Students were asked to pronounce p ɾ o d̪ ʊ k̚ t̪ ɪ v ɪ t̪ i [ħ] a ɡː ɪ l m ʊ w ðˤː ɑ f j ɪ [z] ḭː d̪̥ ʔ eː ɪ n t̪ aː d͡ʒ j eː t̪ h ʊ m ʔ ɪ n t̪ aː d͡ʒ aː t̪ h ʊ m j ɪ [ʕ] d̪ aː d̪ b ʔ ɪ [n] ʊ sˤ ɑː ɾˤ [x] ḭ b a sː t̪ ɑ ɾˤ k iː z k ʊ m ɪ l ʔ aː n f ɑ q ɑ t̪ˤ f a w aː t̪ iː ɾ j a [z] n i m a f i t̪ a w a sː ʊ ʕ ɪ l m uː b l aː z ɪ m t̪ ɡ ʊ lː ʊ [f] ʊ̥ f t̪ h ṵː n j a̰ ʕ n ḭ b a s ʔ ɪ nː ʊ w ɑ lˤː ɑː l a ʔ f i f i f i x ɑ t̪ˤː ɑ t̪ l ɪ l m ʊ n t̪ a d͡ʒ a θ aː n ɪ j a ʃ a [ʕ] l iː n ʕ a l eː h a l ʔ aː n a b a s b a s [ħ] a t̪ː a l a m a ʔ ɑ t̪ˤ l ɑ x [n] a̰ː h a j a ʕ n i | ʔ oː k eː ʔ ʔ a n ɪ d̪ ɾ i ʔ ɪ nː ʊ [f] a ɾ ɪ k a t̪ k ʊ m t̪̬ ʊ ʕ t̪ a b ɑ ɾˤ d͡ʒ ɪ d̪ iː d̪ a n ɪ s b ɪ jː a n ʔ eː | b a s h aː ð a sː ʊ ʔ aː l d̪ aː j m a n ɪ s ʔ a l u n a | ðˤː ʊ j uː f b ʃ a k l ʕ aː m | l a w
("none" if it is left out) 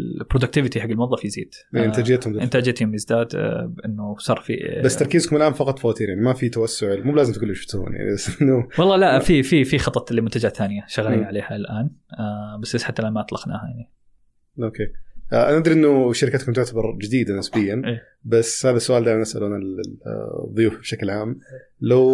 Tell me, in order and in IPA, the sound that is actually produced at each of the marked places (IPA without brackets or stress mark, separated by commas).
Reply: ħ, z, z, nː, f, ʕ, ʃ, ɣ, ħ, n, ʃ